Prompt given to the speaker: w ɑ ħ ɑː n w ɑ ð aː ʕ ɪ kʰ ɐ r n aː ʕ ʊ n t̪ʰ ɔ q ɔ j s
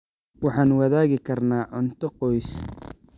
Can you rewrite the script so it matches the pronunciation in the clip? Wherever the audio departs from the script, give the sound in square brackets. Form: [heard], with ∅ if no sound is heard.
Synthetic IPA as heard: w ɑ ħ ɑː n w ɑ ð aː [ɣ] ɪ kʰ ɐ r n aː ʕ ʊ n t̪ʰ ɔ q ɔ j s

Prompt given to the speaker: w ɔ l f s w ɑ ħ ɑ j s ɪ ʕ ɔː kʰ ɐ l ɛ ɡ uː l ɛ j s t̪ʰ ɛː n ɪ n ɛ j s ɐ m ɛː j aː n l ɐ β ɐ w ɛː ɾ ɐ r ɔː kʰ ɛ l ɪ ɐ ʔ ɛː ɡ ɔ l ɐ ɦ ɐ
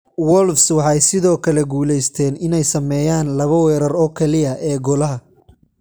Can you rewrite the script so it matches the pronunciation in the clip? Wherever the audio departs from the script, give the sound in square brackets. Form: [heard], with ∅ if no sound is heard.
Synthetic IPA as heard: w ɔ l f s w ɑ ħ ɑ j s ɪ [ð] ɔː kʰ ɐ l ɛ ɡ uː l ɛ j s t̪ʰ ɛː n ɪ n ɛ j s ɐ m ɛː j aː n l ɐ β ɐ w ɛː ɾ ɐ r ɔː kʰ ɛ l ɪ ɐ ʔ ɛː ɡ ɔ l ɐ ɦ ɐ

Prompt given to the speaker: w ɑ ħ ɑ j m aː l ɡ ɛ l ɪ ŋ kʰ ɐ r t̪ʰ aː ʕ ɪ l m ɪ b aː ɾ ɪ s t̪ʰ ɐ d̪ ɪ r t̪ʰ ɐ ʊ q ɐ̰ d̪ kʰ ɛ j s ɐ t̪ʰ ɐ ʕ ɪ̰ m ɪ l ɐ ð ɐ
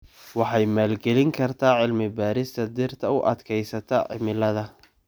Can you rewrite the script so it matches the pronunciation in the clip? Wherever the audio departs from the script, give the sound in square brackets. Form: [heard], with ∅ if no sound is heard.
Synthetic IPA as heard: w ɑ ħ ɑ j m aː l ɡ ɛ l ɪ ŋ kʰ ɐ r t̪ʰ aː ʕ ɪ l m ɪ b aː ɾ ɪ s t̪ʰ ɐ d̪ ɪ r t̪ʰ ɐ ʊ [ʔ] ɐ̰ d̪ kʰ ɛ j s ɐ t̪ʰ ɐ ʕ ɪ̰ m ɪ l ɐ ð ɐ

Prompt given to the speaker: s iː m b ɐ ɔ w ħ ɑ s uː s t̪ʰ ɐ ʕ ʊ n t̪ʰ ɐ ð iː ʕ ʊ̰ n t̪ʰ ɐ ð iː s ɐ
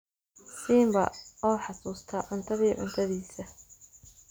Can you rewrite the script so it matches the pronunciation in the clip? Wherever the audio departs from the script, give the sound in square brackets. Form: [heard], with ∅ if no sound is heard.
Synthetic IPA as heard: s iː m b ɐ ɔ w ħ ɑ s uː s t̪ʰ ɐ ʕ ʊ n t̪ʰ ɐ ð iː ʕ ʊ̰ n t̪ʰ ɐ ð iː s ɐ

